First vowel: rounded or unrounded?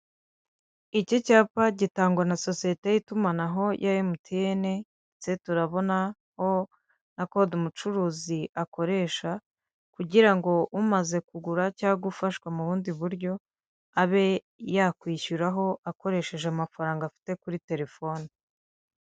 unrounded